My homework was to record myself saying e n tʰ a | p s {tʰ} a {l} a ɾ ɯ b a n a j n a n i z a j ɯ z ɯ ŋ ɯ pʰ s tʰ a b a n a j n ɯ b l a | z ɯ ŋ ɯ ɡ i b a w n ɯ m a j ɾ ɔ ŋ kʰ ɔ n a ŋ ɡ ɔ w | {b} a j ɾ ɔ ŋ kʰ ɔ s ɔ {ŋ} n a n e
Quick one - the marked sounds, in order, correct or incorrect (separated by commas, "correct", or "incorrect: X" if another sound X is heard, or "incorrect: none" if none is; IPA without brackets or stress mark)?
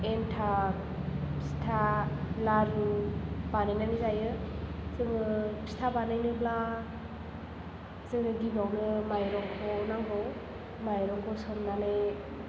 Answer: correct, correct, incorrect: m, incorrect: m